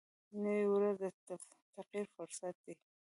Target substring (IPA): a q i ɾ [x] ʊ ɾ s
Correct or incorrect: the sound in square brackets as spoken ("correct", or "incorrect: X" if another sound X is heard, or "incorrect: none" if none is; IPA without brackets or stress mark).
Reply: incorrect: f